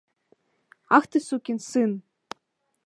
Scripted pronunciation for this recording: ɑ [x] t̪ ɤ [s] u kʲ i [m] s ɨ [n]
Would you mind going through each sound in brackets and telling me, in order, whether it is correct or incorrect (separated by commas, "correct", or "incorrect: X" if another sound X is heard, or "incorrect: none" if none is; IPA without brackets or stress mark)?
correct, correct, incorrect: n, correct